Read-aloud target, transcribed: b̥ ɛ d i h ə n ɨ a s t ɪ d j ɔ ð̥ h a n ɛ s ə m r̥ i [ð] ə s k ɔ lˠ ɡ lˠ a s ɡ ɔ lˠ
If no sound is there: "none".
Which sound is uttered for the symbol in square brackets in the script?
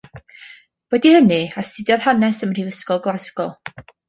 v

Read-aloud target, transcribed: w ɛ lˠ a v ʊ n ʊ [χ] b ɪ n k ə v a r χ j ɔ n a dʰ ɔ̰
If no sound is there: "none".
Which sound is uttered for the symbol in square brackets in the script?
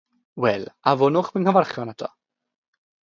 χ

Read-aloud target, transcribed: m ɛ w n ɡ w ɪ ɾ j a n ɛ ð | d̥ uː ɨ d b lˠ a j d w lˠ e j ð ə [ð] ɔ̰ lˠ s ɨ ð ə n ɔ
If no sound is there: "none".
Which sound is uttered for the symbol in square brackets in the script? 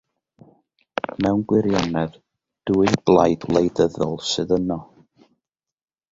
ð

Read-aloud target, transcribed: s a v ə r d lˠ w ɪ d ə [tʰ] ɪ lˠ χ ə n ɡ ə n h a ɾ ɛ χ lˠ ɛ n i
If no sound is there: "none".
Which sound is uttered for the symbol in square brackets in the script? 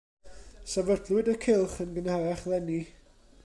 kʰ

